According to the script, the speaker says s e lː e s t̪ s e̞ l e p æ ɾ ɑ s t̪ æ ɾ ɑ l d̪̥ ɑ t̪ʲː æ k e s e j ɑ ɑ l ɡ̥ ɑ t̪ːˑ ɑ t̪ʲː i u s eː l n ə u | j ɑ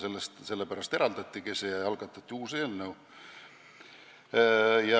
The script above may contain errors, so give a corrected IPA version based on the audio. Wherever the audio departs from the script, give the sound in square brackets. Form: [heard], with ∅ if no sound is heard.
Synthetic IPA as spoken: s e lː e s t̪ s e̞ [lː] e p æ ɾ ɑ s t̪ [e] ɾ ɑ l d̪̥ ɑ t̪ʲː [i] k e s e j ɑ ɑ l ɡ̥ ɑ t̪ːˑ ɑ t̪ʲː i [uː] s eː l n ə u | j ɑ